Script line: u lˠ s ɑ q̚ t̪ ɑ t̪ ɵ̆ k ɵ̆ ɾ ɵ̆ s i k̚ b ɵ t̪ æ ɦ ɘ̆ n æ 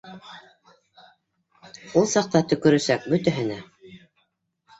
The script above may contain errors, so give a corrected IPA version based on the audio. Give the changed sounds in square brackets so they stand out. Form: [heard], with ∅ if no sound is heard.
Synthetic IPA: u lˠ s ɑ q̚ t̪ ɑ t̪ ɵ̆ k ɵ̆ ɾ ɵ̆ s [æ] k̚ b ɵ t̪ æ ɦ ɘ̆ n æ